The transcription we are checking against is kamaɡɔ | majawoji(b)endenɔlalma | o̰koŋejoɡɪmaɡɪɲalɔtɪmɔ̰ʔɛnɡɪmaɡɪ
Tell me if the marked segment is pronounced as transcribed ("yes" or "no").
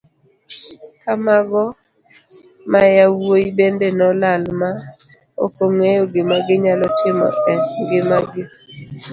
yes